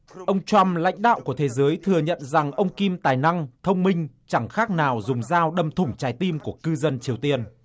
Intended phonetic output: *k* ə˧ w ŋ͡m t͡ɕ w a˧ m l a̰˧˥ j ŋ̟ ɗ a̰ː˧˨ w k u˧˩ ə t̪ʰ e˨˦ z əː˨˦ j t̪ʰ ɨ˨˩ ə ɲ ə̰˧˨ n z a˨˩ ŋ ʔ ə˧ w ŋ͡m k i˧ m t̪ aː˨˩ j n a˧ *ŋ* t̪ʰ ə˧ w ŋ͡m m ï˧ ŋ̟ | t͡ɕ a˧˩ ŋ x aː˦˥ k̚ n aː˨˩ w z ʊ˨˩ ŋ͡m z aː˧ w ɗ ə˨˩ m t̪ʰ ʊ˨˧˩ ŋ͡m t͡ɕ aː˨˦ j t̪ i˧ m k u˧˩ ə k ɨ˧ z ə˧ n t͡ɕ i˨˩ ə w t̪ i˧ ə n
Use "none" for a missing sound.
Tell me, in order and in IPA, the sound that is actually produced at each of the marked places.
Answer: ʔ, ŋ

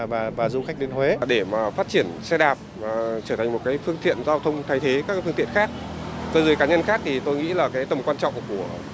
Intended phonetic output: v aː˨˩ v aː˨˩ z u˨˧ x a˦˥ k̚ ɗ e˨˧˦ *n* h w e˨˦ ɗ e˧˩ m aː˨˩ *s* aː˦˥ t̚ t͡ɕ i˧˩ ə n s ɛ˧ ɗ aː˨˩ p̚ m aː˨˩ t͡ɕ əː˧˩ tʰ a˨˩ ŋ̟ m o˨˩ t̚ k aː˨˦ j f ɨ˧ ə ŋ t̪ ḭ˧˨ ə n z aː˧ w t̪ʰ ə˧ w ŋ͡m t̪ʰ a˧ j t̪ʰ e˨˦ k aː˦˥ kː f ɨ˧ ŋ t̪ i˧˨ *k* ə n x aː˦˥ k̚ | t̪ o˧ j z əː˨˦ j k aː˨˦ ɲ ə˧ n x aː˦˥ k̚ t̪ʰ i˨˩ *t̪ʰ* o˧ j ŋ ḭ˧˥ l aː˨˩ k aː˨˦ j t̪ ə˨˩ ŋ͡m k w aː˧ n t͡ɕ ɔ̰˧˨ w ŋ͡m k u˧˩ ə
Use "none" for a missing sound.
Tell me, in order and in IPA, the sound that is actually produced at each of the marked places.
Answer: n, f, none, t̪

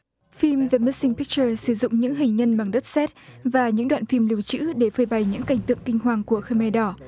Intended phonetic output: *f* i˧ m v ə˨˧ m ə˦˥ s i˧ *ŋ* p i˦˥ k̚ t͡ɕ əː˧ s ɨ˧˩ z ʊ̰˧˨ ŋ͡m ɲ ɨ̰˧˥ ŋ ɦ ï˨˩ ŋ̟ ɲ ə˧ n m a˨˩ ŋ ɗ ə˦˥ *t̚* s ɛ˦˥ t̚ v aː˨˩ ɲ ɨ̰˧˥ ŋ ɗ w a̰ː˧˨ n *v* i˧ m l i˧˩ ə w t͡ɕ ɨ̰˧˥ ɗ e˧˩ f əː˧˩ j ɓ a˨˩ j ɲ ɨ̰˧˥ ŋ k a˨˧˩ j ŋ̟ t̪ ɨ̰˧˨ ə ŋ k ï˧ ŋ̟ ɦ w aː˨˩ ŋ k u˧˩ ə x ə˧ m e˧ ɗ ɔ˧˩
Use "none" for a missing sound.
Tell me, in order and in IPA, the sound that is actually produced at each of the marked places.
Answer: f, ŋ, t̚, f

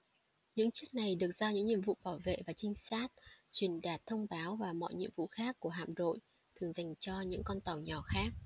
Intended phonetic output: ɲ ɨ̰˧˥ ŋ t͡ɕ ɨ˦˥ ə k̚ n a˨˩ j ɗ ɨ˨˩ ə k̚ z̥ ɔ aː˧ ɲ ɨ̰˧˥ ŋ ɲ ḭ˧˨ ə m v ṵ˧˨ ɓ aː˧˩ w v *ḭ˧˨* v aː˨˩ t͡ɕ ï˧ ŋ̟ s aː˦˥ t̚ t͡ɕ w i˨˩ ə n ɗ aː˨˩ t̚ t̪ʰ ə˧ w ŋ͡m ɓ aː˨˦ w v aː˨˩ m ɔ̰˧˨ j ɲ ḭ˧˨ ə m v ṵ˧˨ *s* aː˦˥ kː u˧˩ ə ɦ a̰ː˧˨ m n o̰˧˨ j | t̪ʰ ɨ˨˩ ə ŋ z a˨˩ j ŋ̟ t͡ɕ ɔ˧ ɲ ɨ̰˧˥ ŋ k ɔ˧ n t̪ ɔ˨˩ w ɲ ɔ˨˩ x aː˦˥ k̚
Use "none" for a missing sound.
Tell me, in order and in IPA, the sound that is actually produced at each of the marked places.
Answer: ḛ˧˨, x

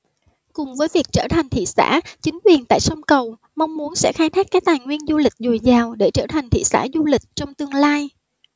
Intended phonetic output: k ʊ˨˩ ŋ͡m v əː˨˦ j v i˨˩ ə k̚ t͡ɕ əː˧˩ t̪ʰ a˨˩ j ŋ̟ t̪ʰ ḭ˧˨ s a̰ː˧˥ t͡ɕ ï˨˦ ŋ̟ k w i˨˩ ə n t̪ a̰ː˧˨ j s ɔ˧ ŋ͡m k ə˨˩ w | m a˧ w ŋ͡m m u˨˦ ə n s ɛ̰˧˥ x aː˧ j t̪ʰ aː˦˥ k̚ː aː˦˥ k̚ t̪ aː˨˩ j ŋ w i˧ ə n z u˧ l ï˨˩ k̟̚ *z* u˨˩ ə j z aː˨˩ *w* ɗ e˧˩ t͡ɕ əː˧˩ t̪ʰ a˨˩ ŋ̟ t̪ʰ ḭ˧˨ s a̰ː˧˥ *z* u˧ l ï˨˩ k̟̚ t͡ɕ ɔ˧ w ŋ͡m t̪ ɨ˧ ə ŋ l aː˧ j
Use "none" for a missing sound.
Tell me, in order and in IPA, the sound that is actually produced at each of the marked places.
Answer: z, w, z

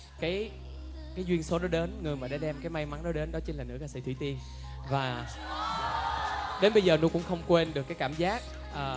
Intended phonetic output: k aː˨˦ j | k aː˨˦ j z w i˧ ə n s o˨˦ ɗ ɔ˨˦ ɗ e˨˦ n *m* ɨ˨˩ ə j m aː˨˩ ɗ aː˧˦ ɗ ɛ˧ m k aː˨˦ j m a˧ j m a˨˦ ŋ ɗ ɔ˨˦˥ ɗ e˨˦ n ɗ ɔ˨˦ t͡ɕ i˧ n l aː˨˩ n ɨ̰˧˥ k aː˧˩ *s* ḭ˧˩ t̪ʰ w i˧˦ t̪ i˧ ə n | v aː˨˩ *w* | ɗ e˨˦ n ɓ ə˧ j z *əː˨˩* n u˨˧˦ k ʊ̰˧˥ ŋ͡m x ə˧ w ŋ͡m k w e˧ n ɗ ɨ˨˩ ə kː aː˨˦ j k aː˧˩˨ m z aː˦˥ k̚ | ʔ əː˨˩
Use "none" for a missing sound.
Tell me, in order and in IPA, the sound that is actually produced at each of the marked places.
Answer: ŋ, s, none, əː˨˩

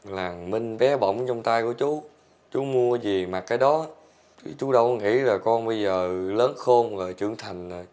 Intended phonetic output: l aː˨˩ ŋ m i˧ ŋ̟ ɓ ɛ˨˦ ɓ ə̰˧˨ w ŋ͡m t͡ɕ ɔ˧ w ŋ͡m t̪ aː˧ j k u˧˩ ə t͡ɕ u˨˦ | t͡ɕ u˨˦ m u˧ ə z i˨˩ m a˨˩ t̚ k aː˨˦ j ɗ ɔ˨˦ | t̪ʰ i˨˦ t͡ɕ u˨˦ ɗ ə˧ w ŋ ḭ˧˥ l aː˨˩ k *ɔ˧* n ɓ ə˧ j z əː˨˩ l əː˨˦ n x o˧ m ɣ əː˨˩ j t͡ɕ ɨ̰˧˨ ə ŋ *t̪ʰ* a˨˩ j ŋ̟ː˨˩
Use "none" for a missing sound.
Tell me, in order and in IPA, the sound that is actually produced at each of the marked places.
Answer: ɔ˧, t̪ʰ

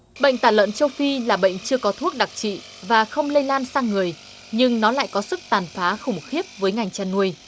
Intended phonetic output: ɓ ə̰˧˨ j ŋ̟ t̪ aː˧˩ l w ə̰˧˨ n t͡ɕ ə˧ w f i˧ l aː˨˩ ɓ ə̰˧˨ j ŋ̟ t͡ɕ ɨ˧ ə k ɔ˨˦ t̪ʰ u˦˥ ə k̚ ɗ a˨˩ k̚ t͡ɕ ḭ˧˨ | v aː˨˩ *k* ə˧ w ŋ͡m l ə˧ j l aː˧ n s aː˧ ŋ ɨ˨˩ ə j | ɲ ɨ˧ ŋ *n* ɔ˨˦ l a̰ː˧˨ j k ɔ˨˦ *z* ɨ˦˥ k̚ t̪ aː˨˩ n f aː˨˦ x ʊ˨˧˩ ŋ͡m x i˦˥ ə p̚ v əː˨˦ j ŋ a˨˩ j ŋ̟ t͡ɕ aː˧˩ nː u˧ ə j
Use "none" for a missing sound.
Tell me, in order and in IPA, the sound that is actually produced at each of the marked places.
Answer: x, n, s

